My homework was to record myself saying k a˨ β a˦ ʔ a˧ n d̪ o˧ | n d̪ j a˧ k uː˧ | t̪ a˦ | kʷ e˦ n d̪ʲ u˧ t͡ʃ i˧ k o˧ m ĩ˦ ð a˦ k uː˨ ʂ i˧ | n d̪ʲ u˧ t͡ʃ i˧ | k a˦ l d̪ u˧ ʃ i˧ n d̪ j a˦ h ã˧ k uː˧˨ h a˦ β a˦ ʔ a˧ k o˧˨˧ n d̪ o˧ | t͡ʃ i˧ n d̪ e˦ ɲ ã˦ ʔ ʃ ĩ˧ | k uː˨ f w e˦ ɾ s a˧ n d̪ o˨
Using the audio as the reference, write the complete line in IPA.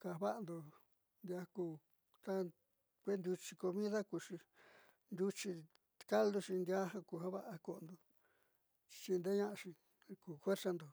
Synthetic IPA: k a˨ β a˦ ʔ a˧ n d̪ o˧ | n d̪ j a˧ k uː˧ | t̪ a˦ | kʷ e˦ n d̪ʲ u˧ t͡ʃ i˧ k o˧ m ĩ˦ ð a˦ k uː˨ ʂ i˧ | n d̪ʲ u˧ t͡ʃ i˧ | k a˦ l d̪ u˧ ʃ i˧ n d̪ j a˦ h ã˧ k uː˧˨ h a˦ β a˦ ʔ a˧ k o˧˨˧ n d̪ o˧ | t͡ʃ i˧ n d̪ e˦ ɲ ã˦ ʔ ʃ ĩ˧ | k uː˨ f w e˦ ɾ s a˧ n d̪ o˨